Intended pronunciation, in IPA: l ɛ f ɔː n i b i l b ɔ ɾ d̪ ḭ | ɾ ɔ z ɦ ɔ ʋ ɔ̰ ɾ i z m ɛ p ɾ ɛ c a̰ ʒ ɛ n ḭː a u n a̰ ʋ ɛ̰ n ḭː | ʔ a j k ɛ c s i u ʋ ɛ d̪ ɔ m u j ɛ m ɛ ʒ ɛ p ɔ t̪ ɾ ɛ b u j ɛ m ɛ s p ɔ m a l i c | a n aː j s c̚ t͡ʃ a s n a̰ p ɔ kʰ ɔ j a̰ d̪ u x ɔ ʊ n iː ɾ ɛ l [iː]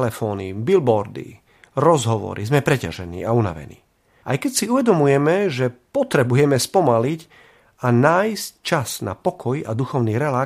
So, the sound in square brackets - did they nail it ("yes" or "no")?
no